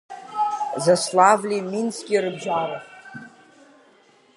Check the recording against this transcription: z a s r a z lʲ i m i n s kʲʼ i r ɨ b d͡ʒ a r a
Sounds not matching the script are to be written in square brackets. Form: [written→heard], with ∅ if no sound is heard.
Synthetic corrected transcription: z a s [r→l] a [z→v] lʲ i m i n s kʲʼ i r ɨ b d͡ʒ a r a